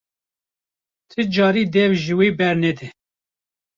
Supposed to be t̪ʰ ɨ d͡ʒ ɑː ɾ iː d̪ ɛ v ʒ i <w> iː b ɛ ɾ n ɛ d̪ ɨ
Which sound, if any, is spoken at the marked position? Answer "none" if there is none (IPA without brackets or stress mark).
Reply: w